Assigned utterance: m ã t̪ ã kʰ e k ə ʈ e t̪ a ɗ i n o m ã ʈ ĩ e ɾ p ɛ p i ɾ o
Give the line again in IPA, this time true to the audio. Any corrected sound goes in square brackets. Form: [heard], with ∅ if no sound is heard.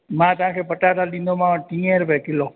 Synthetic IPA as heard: m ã t̪ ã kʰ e [p] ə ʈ [a] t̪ a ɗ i n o m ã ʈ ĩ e ɾ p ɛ [k] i [l] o